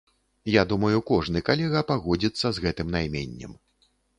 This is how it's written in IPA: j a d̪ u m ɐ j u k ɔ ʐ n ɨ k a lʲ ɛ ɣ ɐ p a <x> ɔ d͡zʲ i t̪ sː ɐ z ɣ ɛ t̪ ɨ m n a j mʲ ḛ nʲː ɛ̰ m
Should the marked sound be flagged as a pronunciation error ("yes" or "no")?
yes